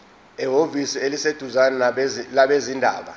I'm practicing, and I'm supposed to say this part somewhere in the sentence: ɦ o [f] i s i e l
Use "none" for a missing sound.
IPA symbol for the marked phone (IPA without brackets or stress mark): v